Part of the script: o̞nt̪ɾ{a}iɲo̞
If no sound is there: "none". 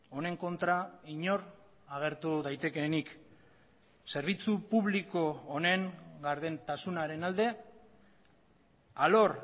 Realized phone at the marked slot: a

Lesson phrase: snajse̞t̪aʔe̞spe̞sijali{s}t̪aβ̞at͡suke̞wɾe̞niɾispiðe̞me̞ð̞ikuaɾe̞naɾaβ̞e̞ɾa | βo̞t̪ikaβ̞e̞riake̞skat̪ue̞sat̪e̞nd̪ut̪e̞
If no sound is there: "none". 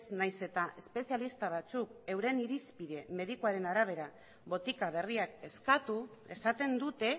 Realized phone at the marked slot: s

